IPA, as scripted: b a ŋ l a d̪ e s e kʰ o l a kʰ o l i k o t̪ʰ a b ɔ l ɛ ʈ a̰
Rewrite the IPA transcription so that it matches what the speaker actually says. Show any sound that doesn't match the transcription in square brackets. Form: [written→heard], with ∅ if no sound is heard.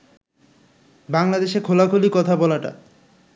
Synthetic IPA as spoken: b a ŋ l a d̪ e [s→ʃ] e kʰ o l a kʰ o l i k [o→ɔ] t̪ʰ a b ɔ l [ɛ→a] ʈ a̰